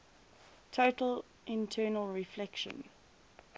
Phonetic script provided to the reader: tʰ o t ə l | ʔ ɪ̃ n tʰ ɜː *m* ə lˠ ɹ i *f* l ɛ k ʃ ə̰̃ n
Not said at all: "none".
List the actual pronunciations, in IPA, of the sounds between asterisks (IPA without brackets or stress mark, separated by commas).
n, f